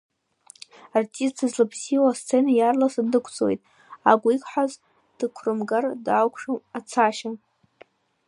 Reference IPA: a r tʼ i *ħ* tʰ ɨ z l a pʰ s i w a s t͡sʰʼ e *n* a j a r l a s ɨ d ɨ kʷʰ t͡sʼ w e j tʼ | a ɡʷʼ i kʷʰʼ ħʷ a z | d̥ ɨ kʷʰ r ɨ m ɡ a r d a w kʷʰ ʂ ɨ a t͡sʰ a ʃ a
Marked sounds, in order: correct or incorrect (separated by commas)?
incorrect, correct